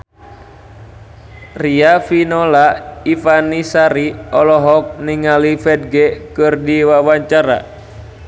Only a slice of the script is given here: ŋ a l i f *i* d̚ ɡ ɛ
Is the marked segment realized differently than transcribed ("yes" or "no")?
yes